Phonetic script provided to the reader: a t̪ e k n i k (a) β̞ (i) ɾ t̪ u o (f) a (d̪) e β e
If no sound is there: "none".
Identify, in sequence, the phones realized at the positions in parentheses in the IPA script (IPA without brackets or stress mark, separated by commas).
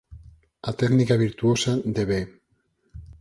a, i, s, d̪